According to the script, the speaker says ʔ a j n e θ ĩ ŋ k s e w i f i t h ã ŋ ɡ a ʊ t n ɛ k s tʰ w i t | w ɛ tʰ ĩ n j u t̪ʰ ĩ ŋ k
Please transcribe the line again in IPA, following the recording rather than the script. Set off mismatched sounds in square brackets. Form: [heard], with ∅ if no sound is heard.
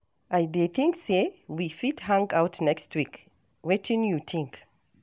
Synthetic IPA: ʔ a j [d] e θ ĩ ŋ k s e w i f i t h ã ŋ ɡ a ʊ t n ɛ k s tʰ w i [k] | w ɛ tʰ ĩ n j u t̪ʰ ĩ ŋ k